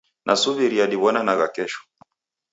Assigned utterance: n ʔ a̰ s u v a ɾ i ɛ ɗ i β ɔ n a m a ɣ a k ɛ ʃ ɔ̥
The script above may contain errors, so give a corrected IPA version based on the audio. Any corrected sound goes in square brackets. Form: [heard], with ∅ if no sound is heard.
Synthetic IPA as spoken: n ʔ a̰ s u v [i] ɾ i [a] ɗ i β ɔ n a [n] a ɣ a k ɛ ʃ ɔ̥